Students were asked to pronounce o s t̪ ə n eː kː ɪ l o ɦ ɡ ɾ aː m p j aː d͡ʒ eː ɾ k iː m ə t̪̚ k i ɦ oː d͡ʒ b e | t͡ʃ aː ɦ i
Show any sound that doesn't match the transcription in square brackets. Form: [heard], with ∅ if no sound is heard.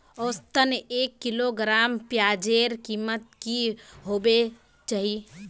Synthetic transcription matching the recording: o s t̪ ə n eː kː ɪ l o [∅] ɡ ɾ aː m p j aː d͡ʒ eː ɾ k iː m ə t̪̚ k i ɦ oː [∅] b e | t͡ʃ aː ɦ i